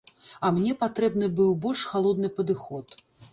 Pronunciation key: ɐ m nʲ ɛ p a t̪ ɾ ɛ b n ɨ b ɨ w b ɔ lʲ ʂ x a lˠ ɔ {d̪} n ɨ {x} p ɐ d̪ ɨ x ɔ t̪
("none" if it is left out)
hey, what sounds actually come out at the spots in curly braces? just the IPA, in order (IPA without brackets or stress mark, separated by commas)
d̪, none